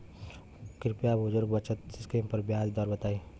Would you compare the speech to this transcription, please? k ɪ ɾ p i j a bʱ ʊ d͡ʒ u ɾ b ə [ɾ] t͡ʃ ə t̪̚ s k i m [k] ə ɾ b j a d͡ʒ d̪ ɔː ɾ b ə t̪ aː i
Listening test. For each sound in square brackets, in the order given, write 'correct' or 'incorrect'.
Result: incorrect, incorrect

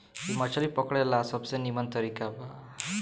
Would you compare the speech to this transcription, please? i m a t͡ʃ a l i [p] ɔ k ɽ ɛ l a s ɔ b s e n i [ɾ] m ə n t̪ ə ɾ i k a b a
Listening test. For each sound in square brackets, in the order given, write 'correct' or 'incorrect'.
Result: correct, incorrect

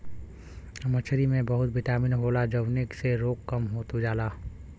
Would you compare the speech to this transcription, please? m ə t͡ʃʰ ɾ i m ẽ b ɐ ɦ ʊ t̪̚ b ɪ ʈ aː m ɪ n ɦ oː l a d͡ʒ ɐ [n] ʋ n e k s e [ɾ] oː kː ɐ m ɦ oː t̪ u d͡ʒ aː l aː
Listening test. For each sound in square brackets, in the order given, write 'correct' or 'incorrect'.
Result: incorrect, correct

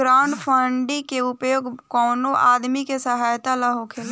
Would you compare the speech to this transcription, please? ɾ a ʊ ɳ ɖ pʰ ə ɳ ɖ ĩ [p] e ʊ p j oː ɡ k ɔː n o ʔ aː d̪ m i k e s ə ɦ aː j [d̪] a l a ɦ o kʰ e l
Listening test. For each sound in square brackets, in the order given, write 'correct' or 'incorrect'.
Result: incorrect, incorrect

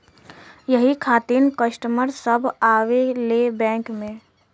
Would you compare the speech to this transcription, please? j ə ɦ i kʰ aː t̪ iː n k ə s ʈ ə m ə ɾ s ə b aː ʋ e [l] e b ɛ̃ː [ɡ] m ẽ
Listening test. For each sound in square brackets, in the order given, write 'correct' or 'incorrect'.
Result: correct, incorrect

